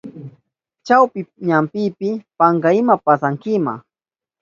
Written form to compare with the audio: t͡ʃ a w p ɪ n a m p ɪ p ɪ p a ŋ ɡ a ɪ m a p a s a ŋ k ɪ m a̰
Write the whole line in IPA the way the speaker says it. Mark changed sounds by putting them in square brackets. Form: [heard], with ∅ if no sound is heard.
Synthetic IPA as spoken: t͡ʃ a w p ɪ [ɲ] a m p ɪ p ɪ p a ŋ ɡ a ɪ m a p a s a ŋ k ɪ m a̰